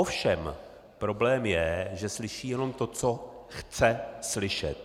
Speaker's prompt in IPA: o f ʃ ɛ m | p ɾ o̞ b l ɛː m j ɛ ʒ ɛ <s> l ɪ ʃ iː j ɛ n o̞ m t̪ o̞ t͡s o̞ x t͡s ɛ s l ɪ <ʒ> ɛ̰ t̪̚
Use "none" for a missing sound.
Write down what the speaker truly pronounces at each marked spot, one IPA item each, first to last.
s, ʃ

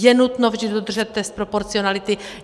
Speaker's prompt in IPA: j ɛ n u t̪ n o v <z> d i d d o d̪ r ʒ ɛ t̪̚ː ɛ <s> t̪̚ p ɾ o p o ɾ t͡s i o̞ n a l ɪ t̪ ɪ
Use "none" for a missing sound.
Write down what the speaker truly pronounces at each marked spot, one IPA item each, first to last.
ʒ, s

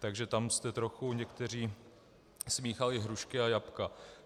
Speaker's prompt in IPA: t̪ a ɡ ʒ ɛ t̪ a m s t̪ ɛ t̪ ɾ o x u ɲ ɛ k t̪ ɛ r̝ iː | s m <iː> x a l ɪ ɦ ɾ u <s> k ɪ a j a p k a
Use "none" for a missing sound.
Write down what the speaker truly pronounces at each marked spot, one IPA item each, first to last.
iː, ʃ

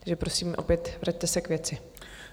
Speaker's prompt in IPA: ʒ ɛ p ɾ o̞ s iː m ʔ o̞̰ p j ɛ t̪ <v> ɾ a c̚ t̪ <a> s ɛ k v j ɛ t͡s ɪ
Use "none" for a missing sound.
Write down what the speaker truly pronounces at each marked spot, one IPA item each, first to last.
v, ɛ

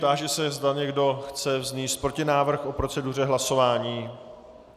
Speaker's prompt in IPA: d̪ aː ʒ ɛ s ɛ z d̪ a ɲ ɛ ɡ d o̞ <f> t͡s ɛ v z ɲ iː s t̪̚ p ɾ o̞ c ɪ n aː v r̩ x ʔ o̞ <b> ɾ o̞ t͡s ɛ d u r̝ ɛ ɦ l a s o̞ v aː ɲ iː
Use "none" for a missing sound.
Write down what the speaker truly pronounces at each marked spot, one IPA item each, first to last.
x, p

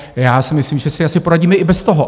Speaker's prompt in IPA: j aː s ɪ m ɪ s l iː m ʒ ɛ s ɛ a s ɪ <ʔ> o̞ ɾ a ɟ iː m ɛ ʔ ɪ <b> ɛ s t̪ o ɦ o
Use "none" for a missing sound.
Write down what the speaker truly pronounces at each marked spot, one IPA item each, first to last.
p, b

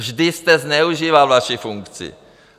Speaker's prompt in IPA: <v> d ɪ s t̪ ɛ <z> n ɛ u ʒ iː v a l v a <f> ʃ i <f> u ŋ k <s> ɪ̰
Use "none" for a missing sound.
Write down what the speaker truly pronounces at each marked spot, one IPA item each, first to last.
ʒ, z, none, f, t͡s

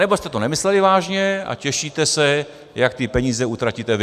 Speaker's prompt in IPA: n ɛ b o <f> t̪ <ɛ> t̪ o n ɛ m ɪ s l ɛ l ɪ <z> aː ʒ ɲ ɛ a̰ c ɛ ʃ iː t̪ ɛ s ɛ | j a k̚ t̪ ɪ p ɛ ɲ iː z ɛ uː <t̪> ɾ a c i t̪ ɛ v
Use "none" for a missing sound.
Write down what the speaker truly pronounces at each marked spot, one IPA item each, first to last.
s, ɛ, v, t̪

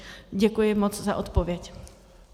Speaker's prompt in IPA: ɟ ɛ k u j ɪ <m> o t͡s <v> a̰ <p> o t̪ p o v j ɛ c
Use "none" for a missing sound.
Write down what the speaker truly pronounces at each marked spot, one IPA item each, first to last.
m, z, ʔ

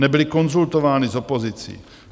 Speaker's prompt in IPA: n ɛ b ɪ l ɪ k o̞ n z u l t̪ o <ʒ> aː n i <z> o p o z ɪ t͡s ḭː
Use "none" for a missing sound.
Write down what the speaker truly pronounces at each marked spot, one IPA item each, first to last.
v, z

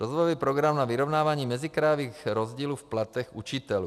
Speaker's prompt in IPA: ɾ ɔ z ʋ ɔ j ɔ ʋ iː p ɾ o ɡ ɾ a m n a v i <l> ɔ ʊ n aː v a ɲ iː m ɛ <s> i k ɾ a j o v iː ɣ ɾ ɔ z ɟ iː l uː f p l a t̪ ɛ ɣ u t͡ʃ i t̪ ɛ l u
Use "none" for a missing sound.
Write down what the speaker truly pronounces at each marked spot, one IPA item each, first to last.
ɾ, z

